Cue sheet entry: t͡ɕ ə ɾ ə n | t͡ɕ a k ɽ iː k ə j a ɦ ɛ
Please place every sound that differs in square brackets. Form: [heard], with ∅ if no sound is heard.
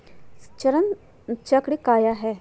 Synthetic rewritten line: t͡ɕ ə ɾ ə n | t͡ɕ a k ɽ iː k [a] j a ɦ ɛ